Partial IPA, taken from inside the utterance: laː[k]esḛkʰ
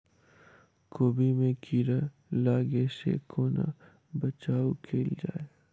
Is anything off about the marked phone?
yes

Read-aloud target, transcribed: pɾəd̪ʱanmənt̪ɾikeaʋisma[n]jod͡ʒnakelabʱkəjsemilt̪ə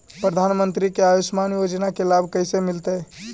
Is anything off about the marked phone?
no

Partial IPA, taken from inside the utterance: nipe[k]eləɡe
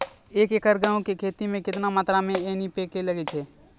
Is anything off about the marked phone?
no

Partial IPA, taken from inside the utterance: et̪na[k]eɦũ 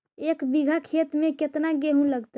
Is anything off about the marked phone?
yes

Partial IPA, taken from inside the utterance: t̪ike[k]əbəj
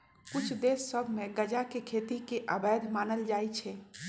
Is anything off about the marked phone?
yes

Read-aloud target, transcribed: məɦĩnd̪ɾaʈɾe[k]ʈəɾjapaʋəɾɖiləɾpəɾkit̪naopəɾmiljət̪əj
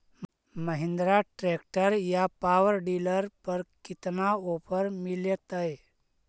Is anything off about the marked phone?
no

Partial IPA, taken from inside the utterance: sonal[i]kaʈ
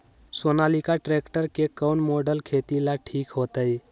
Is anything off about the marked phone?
no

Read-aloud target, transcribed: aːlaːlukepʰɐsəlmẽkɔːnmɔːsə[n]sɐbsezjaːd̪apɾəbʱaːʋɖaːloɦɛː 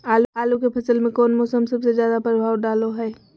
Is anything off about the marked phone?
yes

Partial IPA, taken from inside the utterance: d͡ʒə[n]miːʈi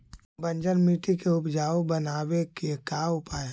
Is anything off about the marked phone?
no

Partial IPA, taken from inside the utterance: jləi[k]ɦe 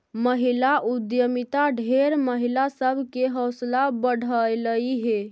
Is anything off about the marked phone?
yes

